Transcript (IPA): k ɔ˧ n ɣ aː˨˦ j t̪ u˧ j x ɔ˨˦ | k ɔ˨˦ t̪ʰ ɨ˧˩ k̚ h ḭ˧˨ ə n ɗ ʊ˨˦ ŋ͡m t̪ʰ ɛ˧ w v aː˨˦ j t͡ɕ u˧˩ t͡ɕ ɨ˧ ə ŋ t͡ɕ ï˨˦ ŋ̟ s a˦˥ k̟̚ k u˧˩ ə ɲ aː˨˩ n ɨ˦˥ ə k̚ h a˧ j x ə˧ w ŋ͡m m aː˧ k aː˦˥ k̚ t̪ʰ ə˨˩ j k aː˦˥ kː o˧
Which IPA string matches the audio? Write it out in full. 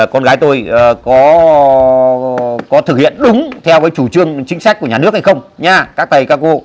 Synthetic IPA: k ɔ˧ n ɣ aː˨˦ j t̪ o˧ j k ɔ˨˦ | k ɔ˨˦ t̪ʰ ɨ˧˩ k̚ h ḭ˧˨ ə n ɗ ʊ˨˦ ŋ͡m t̪ʰ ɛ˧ w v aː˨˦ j t͡ɕ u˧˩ t͡ɕ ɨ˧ ə ŋ t͡ɕ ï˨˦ ŋ̟ s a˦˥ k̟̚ k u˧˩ ə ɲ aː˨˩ n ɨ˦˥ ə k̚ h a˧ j x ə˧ w ŋ͡m ɲ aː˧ k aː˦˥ k̚ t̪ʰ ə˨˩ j k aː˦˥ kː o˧

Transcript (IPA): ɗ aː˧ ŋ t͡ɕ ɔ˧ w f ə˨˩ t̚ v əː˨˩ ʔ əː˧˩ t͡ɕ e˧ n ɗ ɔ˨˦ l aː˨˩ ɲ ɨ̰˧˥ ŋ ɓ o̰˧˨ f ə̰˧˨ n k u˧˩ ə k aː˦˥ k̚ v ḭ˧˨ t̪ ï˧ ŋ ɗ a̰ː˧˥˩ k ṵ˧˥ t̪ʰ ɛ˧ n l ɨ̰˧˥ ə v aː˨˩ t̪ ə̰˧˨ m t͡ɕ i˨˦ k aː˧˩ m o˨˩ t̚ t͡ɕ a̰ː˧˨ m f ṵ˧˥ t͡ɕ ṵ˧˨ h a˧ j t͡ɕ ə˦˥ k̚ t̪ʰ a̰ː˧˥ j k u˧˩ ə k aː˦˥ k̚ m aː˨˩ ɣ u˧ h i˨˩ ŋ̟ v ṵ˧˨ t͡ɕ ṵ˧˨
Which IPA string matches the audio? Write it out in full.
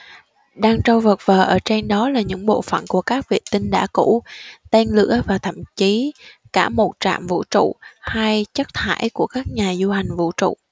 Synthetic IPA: ɗ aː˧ ŋ t͡ɕ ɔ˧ w v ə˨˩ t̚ v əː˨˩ ʔ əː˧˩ t͡ɕ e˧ n ɗ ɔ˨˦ l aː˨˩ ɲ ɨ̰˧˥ ŋ ɓ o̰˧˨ f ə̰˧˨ n k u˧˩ ə k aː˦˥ k̚ v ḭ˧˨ t̪ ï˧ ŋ ɗ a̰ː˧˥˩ k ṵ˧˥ t̪ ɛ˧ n l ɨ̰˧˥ ə v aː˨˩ t̪ʰ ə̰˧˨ m t͡ɕ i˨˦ k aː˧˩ m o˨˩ t̚ t͡ɕ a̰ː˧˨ m v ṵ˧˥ t͡ɕ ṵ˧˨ h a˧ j t͡ɕ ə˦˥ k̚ t̪ʰ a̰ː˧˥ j k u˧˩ ə k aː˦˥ k̚ ɲ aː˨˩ z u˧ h a˨˩ ŋ̟ v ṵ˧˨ t͡ɕ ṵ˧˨

